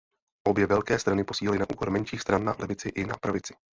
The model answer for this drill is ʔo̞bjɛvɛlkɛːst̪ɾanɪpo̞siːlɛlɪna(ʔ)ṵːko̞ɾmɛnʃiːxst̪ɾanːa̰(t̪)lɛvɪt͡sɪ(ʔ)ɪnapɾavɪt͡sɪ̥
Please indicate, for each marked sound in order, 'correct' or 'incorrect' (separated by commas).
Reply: correct, incorrect, correct